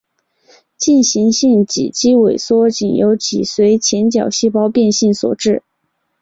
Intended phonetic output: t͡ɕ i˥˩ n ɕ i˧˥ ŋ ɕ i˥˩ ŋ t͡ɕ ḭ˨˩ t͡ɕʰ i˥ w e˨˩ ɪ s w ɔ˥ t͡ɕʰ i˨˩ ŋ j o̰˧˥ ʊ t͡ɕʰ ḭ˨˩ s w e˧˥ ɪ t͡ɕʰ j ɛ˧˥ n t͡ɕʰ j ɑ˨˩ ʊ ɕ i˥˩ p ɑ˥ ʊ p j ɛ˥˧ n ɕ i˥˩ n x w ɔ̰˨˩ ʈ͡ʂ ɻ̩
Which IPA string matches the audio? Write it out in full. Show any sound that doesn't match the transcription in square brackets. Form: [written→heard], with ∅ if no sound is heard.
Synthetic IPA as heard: t͡ɕ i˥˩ n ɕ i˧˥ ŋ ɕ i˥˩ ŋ t͡ɕ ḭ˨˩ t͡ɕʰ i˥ w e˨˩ ɪ s w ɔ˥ [t͡ɕʰ→t͡ɕ] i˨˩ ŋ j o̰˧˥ ʊ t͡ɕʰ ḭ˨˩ s w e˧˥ ɪ t͡ɕʰ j ɛ˧˥ n [t͡ɕʰ→t͡ɕ] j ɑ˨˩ ʊ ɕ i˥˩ p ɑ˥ ʊ p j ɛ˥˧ n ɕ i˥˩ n [x→s] w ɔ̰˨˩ ʈ͡ʂ ɻ̩